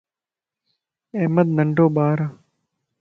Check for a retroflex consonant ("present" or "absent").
present